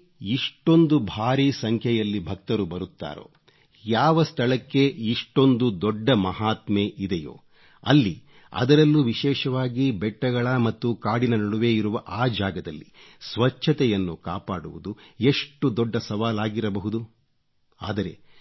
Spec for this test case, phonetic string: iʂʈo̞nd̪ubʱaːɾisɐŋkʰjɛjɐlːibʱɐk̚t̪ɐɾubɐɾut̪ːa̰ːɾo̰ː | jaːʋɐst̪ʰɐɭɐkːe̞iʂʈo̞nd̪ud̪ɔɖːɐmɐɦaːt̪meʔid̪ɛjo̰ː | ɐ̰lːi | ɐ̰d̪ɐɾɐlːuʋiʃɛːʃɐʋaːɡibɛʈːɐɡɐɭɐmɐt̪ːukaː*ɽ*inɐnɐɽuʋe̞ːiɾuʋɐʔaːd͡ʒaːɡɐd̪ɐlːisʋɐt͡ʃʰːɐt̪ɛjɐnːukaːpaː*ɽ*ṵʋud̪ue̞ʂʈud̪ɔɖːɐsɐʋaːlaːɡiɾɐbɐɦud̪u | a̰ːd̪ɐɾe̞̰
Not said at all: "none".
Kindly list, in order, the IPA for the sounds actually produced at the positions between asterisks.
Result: ɽ, ɽ

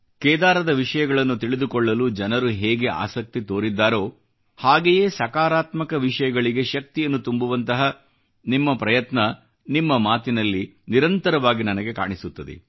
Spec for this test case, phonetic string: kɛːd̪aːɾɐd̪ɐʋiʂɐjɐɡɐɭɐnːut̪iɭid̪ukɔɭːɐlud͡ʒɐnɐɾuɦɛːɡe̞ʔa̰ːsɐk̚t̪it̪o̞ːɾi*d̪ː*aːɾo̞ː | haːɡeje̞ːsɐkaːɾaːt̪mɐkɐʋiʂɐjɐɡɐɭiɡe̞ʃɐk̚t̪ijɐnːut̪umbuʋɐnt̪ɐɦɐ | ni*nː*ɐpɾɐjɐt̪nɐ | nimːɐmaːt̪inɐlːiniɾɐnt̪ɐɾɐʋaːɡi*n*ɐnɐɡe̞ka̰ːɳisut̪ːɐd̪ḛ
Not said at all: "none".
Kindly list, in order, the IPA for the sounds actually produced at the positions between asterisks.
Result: d̪ː, mː, n

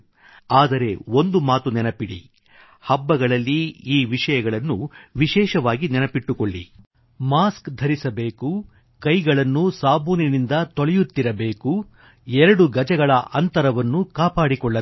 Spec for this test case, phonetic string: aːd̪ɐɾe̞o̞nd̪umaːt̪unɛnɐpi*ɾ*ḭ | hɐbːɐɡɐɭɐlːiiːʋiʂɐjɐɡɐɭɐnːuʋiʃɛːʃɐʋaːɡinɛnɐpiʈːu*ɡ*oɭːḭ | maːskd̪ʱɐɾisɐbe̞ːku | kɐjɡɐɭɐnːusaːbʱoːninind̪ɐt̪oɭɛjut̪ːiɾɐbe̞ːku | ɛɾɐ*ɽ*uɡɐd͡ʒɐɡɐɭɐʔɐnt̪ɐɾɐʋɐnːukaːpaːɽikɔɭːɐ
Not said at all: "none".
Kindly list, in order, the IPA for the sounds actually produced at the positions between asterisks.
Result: ɽ, k, ɽ

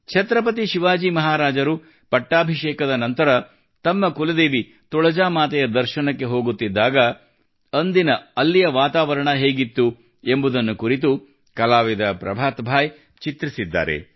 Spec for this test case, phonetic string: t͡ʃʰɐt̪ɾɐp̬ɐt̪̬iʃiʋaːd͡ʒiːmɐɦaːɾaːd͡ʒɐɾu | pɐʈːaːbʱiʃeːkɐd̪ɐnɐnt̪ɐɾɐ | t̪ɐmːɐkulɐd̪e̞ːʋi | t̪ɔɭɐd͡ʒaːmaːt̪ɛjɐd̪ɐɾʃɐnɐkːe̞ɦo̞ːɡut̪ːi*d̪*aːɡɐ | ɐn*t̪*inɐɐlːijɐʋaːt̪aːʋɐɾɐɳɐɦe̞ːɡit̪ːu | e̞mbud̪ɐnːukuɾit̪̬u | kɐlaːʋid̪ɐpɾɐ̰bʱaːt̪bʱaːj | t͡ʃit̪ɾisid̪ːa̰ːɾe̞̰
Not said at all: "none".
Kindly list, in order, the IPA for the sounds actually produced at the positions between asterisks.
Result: d̪ː, d̪

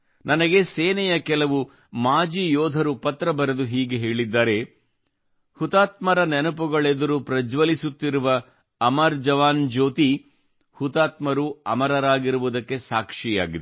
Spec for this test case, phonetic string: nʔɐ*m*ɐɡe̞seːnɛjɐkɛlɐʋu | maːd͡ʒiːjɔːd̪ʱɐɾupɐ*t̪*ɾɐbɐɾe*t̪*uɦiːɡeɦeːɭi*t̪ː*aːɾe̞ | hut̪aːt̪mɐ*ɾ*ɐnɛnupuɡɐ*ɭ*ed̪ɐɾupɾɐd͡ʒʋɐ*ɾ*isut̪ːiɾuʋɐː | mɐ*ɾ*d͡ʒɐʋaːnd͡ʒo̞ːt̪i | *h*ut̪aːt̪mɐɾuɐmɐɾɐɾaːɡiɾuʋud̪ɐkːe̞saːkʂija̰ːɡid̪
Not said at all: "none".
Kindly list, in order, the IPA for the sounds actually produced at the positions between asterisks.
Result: n, t̪, d̪, d̪ː, ɾ, ɭ, l, ɾ, h

